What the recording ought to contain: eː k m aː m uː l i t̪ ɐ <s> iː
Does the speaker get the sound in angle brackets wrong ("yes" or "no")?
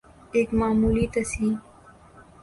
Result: no